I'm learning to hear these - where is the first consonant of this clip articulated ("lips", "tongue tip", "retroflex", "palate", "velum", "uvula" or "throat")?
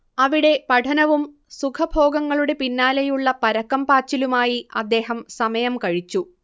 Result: lips